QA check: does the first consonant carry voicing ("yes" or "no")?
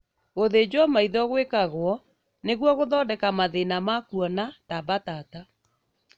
yes